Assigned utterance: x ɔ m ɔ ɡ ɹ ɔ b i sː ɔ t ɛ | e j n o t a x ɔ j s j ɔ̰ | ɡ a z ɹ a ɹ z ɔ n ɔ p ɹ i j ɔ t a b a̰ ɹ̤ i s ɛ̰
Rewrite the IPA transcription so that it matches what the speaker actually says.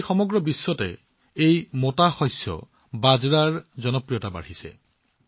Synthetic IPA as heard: x ɔ m ɔ ɡ ɹ ɔ b i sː ɔ t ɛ | e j m o t a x ɔ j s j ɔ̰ | b a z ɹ a ɹ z ɔ n ɔ p ɹ i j ɔ t a b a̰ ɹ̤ i s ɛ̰